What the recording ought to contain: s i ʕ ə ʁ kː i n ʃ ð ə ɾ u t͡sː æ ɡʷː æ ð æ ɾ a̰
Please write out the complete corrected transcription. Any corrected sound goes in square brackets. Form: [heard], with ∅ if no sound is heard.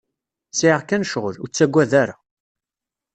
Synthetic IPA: s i ʕ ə ʁ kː [æ] n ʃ [ʁ] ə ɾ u t͡sː æ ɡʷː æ ð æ ɾ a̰